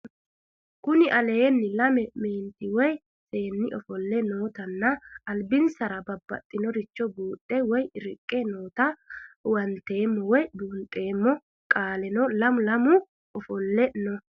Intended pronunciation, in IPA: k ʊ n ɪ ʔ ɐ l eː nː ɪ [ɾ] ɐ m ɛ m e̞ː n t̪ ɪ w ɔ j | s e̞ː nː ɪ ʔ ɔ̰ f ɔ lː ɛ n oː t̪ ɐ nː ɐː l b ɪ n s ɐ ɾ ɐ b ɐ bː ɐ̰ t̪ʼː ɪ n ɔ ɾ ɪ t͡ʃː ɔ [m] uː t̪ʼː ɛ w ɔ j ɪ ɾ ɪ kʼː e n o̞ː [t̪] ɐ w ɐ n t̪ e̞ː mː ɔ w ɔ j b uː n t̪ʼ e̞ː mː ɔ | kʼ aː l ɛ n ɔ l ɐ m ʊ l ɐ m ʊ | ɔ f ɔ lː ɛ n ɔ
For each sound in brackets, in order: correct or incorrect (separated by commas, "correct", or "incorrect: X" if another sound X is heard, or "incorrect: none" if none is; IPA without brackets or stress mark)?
incorrect: l, incorrect: b, correct